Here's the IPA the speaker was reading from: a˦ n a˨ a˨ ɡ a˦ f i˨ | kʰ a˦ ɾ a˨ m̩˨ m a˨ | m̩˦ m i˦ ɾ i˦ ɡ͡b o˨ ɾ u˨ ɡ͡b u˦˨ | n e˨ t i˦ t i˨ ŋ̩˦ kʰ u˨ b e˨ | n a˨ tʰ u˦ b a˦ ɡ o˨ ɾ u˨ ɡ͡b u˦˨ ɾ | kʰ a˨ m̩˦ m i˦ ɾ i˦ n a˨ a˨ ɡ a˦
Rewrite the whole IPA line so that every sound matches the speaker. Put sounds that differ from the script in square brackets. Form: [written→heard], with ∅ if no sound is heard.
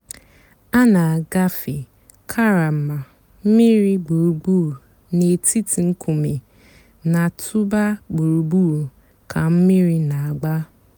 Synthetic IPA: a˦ n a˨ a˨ ɡ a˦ f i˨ | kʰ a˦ ɾ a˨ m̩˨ m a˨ | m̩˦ m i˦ ɾ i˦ ɡ͡b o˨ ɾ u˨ ɡ͡b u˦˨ | n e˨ t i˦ t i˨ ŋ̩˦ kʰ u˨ [b→m] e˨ | n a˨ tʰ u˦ b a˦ [ɡ→ɡ͡b] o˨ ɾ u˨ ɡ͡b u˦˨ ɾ | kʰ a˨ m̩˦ m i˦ ɾ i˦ n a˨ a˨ [ɡ→ɡ͡b] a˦